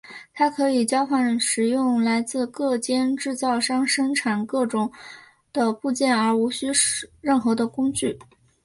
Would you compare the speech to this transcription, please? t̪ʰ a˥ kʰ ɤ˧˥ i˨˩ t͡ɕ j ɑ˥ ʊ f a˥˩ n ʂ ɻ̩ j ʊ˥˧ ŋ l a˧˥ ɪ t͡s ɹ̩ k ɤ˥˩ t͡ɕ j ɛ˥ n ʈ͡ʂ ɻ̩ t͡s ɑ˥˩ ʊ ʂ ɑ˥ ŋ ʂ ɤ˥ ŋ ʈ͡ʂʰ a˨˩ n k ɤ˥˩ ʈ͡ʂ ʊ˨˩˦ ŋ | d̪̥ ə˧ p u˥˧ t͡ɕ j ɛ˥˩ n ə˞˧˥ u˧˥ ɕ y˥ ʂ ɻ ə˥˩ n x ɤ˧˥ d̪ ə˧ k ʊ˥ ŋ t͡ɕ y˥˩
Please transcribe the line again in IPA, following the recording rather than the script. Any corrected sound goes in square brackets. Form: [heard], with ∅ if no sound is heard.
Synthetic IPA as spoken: t̪ʰ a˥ kʰ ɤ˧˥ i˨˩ t͡ɕ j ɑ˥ ʊ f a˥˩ n ʂ ɻ̩ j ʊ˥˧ ŋ l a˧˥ ɪ t͡s ɹ̩ k ɤ˥˩ t͡ɕ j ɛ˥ n ʈ͡ʂ ɻ̩ t͡s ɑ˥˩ ʊ ʂ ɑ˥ ŋ ʂ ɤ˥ ŋ ʈ͡ʂʰ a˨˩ n k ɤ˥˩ ʈ͡ʂ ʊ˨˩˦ ŋ | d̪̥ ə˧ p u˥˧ t͡ɕ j ɛ˥˩ n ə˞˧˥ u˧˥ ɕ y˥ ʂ ɻ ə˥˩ n x ɤ˧˥ d̪ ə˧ k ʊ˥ ŋ t͡ɕ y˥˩

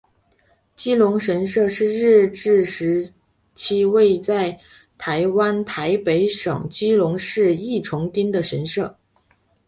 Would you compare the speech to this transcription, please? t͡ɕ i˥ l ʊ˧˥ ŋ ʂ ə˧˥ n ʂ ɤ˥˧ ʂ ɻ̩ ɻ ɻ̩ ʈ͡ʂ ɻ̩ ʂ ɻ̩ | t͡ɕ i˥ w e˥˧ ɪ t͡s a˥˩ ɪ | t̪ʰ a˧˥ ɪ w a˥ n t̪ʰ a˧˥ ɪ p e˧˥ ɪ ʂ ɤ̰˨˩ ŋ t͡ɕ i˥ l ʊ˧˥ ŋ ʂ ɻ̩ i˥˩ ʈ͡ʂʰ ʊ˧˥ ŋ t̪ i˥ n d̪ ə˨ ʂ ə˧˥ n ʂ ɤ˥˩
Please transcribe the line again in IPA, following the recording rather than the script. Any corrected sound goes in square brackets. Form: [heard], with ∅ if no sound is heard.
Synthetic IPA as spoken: t͡ɕ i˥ l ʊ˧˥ ŋ ʂ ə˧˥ n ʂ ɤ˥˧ ʂ ɻ̩ ɻ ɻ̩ ʈ͡ʂ ɻ̩ ʂ ɻ̩ | [t͡ɕʰ] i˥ w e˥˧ ɪ t͡s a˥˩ ɪ | t̪ʰ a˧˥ ɪ w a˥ n t̪ʰ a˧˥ ɪ p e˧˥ ɪ ʂ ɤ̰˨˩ ŋ t͡ɕ i˥ l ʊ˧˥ ŋ ʂ ɻ̩ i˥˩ ʈ͡ʂʰ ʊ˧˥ ŋ t̪ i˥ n d̪ ə˨ ʂ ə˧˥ n ʂ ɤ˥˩

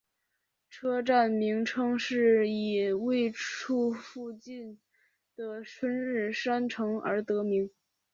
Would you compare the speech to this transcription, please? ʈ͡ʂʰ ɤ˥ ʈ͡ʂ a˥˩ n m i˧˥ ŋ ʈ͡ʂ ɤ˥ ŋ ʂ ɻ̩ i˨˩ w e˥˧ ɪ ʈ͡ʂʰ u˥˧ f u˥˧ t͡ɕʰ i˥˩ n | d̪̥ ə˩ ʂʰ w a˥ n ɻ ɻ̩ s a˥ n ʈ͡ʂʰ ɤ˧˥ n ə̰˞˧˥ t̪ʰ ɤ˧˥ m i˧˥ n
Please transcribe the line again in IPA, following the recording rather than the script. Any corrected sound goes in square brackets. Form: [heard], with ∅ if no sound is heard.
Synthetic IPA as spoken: ʈ͡ʂʰ ɤ˥ ʈ͡ʂ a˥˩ n m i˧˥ ŋ [ʈ͡ʂʰ] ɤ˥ ŋ ʂ ɻ̩ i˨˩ w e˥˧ ɪ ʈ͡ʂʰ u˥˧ f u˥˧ [t͡ɕ] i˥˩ n | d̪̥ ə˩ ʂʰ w [ə˥] n ɻ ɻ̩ [ʂ] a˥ n ʈ͡ʂʰ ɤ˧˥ [ŋ] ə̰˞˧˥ [t̪] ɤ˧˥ m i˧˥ [ŋ]

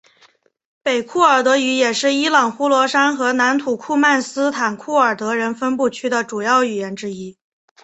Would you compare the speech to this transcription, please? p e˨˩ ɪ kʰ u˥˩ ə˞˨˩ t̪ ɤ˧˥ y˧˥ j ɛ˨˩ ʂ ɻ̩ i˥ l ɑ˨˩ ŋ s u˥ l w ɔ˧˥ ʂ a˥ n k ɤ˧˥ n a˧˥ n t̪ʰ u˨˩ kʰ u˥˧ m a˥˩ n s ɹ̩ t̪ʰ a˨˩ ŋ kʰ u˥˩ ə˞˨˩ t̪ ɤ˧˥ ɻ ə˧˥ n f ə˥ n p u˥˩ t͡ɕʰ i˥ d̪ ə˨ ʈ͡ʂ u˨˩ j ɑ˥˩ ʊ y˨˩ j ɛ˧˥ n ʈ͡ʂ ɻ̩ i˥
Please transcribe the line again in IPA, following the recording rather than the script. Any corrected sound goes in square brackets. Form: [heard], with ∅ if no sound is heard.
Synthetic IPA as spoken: p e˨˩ ɪ kʰ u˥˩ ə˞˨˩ t̪ ɤ˧˥ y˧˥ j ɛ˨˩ ʂ ɻ̩ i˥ l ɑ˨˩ ŋ [x] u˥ l w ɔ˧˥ ʂ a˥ n [x] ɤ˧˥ n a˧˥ n t̪ʰ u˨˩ kʰ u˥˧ m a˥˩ n s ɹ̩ t̪ʰ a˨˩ [n] kʰ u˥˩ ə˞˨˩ t̪ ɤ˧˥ ɻ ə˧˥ n f ə˥ n p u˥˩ t͡ɕʰ [y˥] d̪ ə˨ ʈ͡ʂ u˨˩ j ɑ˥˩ ʊ y˨˩ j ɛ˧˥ n ʈ͡ʂ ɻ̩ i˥

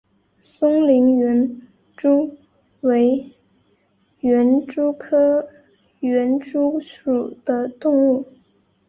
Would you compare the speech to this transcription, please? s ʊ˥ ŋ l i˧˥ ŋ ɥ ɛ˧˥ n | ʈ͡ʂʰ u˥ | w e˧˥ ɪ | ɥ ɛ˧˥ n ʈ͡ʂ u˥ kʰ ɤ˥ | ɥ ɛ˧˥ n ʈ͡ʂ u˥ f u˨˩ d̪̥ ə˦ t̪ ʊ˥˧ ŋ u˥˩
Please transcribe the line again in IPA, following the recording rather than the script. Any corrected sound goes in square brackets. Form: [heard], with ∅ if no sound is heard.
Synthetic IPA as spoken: s ʊ˥ ŋ l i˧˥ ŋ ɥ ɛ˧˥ n | [ʈ͡ʂ] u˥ | w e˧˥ ɪ | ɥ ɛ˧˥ n ʈ͡ʂ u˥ kʰ ɤ˥ | ɥ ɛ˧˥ n ʈ͡ʂ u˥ [ʂ] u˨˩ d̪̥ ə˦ t̪ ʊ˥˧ ŋ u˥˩

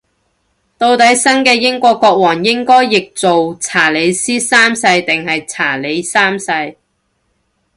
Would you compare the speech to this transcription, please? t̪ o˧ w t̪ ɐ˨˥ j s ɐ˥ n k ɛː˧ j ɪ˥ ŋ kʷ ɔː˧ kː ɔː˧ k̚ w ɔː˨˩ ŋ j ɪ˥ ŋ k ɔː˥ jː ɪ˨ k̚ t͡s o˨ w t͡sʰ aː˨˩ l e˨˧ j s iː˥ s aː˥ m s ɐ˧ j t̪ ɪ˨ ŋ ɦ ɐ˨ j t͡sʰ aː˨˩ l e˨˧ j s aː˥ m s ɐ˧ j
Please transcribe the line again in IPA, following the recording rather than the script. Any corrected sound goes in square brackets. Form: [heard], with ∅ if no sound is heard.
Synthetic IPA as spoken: t̪ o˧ w t̪ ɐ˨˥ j s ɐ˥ n k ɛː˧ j ɪ˥ ŋ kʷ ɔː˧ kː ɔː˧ k̚ w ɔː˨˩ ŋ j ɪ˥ ŋ k ɔː˥ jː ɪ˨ k̚ t͡s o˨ w t͡sʰ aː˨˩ l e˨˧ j s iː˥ s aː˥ m s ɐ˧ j t̪ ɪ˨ ŋ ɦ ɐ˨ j t͡sʰ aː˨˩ l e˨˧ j s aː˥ m s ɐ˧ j

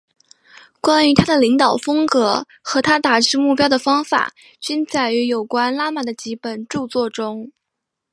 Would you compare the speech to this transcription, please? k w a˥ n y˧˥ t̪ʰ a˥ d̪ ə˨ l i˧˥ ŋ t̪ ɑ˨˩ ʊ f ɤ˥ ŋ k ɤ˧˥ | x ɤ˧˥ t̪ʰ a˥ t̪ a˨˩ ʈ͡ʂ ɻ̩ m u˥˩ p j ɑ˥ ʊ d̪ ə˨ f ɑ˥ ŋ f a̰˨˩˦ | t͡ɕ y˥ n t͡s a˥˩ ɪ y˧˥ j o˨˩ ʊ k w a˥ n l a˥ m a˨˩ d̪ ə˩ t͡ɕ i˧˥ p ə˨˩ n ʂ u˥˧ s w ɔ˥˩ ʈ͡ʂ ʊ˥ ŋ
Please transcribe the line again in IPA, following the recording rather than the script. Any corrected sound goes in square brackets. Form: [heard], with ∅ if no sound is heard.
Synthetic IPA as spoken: k w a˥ n y˧˥ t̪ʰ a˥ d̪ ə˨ l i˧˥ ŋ t̪ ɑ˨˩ ʊ f ɤ˥ ŋ k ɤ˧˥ | x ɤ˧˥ t̪ʰ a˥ t̪ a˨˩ ʈ͡ʂ ɻ̩ m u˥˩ p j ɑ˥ ʊ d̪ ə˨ f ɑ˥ ŋ f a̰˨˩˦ | t͡ɕ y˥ n t͡s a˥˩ ɪ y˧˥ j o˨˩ ʊ k w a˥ n l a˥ m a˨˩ d̪ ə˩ t͡ɕ i˧˥ p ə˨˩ n [ʈ͡ʂ] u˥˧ [t͡s] w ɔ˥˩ ʈ͡ʂ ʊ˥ ŋ

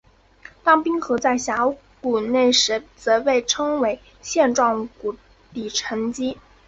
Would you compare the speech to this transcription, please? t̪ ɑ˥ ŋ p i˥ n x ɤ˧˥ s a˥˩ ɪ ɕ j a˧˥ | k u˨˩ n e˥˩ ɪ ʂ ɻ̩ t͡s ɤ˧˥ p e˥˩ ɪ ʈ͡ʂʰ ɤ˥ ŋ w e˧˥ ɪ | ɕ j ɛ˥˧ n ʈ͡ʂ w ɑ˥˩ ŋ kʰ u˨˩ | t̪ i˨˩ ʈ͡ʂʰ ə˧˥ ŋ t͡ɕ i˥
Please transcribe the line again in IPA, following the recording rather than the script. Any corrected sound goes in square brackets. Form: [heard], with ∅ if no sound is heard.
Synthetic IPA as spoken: t̪ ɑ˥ ŋ p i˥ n x ɤ˧˥ [t͡s] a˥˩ ɪ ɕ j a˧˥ | k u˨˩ n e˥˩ ɪ ʂ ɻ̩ t͡s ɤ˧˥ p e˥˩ ɪ ʈ͡ʂʰ ɤ˥ ŋ w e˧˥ ɪ | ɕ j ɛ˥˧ n ʈ͡ʂ w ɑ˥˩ ŋ [k] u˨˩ | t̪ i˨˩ ʈ͡ʂʰ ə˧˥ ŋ t͡ɕ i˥

